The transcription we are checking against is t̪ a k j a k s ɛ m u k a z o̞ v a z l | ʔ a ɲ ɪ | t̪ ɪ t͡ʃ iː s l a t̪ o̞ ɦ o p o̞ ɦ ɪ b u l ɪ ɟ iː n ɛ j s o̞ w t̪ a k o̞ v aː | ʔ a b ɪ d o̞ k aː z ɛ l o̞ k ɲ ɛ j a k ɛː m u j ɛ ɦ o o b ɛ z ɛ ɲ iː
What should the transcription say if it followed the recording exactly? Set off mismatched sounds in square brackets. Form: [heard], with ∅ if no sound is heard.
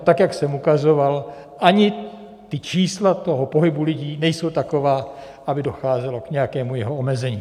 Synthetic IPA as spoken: t̪ a k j a k s ɛ m u k a z o̞ v a [∅] l | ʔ a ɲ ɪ | t̪ ɪ t͡ʃ iː s l a t̪ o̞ ɦ o p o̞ ɦ ɪ b u l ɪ ɟ iː n ɛ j s o̞ w t̪ a k o̞ v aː | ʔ a b ɪ d o̞ [x] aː z ɛ l o̞ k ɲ ɛ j a k ɛː m u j ɛ ɦ o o [m] ɛ z ɛ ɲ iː